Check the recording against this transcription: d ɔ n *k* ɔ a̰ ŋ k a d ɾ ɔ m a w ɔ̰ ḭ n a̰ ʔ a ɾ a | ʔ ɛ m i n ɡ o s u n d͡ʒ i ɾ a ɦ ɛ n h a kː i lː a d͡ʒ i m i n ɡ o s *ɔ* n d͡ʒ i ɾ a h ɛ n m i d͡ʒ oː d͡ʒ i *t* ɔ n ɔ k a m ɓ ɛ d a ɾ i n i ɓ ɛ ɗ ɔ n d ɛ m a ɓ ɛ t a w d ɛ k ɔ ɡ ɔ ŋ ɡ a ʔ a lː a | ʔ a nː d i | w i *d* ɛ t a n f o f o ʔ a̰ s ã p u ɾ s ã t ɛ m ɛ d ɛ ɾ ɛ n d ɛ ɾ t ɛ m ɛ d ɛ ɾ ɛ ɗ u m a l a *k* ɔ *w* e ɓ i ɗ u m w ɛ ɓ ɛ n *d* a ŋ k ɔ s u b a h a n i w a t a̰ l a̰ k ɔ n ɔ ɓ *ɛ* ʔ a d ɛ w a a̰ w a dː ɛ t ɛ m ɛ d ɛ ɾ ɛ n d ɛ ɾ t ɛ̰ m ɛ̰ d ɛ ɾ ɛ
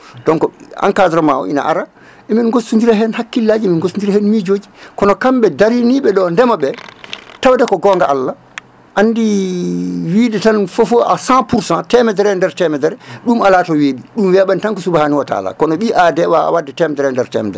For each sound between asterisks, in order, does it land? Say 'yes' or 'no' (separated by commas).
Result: yes, no, no, yes, no, yes, no, no